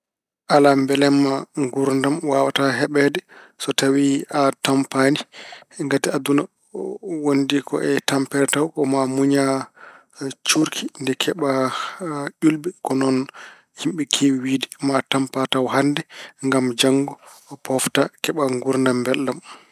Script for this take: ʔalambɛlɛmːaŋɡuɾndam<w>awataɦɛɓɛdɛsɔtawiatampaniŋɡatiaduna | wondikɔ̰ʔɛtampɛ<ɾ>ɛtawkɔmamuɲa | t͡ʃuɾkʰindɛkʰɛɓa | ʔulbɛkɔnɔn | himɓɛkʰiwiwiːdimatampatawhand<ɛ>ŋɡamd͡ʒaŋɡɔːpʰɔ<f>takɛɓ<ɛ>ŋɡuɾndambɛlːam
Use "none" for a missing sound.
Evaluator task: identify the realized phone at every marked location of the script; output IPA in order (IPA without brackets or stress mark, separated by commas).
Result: w, ɾ, ɛ, f, a